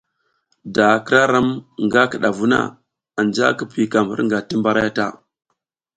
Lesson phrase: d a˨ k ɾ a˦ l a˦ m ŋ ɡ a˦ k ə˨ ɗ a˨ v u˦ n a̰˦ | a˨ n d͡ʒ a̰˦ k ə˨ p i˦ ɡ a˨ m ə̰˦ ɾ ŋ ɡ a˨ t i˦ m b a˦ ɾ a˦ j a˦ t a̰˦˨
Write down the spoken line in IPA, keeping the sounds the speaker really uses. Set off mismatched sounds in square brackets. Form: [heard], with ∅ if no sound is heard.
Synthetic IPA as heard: d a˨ k ɾ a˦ [ɾ] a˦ m ŋ ɡ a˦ k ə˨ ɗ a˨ v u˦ n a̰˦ | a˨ n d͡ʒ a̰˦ k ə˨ p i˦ [k] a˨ m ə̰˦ ɾ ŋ ɡ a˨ t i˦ m b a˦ ɾ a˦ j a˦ t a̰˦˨